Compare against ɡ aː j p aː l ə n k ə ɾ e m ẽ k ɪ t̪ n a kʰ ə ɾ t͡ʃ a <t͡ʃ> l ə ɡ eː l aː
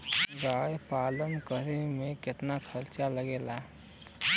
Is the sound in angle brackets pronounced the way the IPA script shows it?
no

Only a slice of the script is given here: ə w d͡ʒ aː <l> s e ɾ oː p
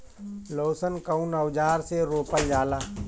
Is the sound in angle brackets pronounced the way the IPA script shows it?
no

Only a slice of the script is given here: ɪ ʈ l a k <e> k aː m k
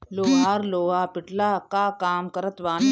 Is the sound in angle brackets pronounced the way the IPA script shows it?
no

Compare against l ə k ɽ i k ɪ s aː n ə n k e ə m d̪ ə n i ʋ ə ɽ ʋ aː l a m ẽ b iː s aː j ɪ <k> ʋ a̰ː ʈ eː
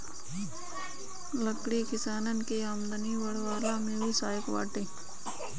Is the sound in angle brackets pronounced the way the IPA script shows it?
yes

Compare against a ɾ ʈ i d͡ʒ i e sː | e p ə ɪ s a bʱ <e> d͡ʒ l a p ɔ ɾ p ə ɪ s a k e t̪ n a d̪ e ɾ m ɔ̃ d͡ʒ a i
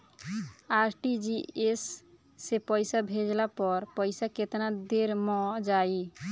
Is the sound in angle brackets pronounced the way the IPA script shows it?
yes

